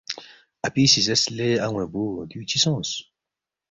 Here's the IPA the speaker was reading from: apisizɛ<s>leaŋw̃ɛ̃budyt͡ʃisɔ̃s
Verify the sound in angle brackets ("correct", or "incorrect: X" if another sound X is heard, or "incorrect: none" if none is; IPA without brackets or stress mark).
correct